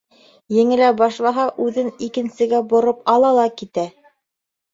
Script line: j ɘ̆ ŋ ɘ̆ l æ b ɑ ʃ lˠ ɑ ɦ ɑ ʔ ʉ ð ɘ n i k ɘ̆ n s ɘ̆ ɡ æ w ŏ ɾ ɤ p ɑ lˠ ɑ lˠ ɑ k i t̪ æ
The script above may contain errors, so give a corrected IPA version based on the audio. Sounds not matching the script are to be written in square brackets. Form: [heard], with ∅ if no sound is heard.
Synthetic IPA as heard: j ɘ̆ ŋ ɘ̆ l æ b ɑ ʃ lˠ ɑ ɦ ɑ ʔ ʉ ð ɘ n i k ɘ̆ n s ɘ̆ ɡ æ [b] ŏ ɾ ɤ p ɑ lˠ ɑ lˠ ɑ k i t̪ æ